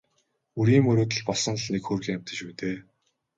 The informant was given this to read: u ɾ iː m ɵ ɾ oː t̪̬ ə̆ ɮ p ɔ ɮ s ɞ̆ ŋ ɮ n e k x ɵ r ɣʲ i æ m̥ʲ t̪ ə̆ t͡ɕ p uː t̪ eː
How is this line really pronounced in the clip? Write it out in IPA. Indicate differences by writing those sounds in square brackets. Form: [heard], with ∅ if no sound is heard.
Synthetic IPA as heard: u ɾ iː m ɵ ɾ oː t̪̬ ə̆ ɮ p ɔ ɮ s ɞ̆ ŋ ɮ n e k x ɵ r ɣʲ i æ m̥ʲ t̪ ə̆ t͡ɕ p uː t̪ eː